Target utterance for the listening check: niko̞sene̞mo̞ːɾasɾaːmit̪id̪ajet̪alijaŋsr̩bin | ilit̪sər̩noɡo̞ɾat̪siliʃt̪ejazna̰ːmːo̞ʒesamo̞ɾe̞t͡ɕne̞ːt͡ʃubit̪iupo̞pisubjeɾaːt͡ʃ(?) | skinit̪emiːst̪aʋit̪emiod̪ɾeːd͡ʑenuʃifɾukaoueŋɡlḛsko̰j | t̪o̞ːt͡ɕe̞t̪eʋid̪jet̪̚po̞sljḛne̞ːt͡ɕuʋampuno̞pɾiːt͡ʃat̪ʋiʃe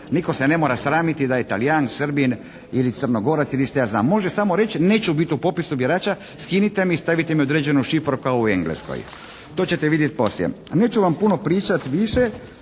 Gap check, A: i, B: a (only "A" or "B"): B